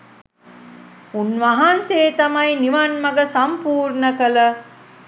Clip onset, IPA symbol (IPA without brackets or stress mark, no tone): u